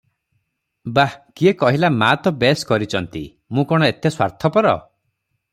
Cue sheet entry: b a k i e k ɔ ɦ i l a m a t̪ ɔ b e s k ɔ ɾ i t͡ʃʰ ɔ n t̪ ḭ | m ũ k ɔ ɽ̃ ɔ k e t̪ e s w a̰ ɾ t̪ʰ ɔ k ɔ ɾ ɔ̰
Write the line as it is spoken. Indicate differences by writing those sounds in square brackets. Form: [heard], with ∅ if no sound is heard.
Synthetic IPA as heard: b a k i e k ɔ ɦ i l a m a t̪ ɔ b e s k ɔ ɾ i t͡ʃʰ ɔ n t̪ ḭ | m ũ k ɔ ɽ̃ ɔ [∅] e t̪ e s w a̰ ɾ t̪ʰ ɔ [p] ɔ ɾ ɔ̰